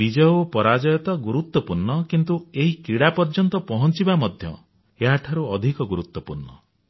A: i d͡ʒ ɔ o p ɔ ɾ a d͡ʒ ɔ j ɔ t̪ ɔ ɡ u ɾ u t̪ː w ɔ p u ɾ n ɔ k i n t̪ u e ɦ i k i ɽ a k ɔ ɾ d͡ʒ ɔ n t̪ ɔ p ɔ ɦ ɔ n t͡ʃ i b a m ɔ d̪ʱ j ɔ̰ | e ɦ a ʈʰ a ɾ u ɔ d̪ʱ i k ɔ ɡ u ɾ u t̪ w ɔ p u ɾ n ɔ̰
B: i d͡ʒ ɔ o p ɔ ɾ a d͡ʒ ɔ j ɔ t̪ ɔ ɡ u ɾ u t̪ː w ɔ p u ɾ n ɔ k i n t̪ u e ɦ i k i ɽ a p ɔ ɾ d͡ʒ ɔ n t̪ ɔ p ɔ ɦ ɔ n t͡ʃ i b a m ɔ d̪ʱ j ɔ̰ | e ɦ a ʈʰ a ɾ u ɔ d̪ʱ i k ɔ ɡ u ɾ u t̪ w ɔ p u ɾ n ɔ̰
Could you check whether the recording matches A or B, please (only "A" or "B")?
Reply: B